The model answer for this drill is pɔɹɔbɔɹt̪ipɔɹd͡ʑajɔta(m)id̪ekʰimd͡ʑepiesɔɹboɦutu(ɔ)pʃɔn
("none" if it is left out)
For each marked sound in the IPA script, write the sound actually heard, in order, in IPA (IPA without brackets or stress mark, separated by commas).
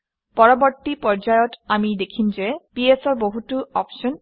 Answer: m, ɔ